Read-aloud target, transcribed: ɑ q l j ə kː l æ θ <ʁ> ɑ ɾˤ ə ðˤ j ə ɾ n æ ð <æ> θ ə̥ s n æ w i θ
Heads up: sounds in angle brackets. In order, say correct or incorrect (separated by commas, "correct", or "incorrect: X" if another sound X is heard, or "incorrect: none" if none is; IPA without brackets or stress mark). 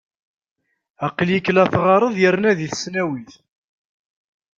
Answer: correct, incorrect: i